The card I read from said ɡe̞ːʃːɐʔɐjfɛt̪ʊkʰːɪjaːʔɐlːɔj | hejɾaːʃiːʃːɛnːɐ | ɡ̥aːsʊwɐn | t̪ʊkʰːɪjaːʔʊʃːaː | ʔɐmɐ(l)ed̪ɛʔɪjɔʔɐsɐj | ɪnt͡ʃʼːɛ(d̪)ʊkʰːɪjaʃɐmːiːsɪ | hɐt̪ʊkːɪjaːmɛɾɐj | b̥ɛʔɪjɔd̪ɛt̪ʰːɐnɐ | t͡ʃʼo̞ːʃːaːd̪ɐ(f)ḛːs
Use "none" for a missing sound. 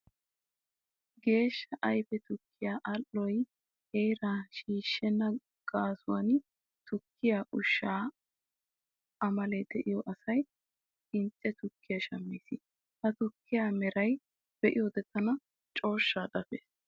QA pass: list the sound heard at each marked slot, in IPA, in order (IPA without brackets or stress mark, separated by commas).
l, t̪, f